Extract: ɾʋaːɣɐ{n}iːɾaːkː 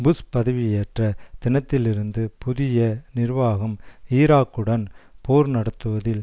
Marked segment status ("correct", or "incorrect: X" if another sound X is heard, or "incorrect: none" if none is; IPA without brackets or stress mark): incorrect: m